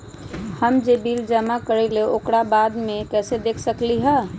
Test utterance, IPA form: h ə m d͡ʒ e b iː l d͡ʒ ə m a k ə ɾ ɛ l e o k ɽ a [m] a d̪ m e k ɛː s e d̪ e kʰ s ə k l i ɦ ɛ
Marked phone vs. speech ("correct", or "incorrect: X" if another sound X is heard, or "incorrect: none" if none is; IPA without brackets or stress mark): incorrect: b